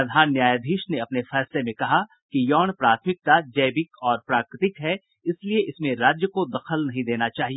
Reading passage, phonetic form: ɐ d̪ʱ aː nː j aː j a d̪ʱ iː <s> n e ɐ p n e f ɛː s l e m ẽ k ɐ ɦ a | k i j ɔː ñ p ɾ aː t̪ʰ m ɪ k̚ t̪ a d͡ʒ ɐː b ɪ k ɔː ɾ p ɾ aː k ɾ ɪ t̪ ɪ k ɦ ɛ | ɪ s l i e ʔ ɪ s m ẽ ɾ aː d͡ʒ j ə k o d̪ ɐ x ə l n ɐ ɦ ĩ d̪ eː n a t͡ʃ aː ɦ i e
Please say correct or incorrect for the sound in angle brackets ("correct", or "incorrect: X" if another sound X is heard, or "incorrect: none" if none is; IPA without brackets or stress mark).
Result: incorrect: ʃ